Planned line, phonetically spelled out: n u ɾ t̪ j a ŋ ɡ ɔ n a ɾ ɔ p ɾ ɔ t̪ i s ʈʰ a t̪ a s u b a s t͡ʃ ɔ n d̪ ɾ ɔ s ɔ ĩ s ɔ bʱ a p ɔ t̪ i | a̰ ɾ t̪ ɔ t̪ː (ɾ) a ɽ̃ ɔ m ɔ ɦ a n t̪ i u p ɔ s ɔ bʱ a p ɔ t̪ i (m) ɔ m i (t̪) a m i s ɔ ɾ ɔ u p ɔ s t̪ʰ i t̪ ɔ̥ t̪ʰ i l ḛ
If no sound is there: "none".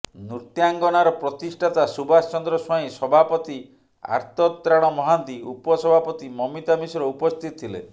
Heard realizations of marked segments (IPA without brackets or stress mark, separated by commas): ɾ, m, t̪